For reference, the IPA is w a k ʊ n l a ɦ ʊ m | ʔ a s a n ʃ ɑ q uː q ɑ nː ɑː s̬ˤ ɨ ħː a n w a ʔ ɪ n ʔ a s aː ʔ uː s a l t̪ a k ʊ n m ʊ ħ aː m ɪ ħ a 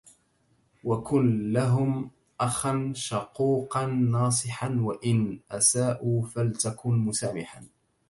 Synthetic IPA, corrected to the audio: w a k ʊ n l a ɦ ʊ m | ʔ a x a n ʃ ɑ q uː q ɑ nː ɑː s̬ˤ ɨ ħ a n w a ʔ ɪ n ʔ a s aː ʔ uː f a l t̪ a k ʊ n m ʊ s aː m ɪ ħ a